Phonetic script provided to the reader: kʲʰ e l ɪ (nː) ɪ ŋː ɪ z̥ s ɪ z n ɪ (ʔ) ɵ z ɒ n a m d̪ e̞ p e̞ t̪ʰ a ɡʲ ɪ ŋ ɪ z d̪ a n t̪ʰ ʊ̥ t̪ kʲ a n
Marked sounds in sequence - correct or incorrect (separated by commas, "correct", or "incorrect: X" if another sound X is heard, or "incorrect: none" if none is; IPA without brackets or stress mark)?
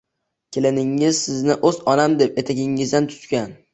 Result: incorrect: n, correct